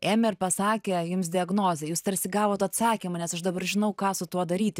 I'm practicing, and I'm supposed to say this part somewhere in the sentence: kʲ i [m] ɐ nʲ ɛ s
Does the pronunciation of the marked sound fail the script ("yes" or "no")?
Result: no